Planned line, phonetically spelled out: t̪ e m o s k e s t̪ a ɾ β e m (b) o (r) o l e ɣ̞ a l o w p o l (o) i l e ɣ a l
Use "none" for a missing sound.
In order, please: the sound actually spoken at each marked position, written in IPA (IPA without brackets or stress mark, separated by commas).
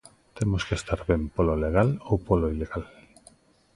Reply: p, l, o